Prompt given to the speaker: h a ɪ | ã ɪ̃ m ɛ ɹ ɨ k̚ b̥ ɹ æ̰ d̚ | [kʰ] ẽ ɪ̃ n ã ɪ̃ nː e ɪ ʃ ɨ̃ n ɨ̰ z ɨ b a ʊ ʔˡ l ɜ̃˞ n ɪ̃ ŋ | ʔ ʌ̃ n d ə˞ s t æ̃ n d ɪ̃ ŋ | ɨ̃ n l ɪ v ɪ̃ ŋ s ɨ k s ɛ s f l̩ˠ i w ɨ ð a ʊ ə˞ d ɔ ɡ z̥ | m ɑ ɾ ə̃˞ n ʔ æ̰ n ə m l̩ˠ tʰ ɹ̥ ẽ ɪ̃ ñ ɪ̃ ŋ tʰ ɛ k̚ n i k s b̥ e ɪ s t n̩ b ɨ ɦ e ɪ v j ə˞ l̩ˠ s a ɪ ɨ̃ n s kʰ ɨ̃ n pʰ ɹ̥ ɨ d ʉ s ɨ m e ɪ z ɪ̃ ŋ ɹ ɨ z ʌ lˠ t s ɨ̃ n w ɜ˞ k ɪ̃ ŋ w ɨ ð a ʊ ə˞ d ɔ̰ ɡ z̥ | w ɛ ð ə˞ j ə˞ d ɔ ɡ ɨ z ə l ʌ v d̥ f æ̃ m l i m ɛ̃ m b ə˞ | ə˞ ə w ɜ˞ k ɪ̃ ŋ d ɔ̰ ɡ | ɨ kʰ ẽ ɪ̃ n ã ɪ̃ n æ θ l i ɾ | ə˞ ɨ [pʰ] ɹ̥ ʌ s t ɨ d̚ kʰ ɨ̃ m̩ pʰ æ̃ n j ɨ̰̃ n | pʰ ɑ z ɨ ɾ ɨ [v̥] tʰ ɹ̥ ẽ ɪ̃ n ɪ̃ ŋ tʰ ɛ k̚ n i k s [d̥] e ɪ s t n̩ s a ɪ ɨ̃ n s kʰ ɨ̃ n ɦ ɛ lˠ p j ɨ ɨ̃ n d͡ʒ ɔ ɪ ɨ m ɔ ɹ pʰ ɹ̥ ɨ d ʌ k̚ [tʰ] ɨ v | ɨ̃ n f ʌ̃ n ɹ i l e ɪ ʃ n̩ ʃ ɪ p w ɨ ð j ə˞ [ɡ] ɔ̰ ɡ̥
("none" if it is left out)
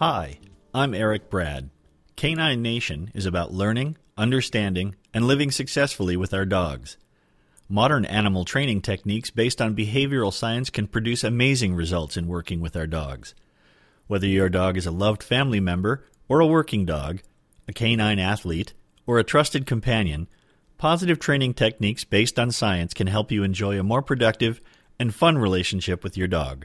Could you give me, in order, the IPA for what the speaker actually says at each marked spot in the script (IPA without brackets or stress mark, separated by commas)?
kʰ, tʰ, v̥, b̥, t, d